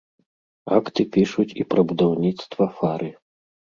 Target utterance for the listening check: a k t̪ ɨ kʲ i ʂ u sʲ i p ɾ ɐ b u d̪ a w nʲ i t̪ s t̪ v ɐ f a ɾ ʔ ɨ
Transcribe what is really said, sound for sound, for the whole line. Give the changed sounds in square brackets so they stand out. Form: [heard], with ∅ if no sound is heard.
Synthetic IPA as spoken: a k t̪ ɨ [pʲ] i ʂ u [t͡sʲ] i p ɾ ɐ b u d̪ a w nʲ i t̪ s t̪ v ɐ f a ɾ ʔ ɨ